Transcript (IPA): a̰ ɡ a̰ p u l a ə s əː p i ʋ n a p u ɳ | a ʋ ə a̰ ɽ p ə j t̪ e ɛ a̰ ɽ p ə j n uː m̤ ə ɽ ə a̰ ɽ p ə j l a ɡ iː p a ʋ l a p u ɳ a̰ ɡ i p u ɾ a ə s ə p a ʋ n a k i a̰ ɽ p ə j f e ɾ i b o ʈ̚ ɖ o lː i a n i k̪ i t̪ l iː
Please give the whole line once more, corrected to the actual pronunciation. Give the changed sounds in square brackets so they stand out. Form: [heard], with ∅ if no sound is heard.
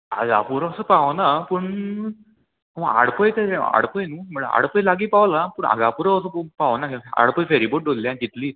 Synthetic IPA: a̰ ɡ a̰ p u [ɾ] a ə s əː p [a] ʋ n a p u ɳ | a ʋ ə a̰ ɽ p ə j t̪ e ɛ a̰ ɽ p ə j n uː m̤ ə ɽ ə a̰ ɽ p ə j l a ɡ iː p a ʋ l a p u ɳ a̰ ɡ [a] p u ɾ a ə s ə p a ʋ n a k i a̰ ɽ p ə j f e ɾ i b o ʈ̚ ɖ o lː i a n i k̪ i t̪ l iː